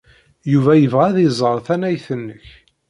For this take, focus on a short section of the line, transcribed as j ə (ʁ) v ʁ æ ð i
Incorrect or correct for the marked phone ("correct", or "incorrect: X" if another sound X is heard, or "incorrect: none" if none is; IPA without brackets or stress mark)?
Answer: incorrect: none